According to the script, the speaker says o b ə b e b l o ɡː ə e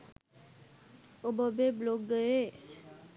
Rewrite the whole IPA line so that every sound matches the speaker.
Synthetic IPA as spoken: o b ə b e b l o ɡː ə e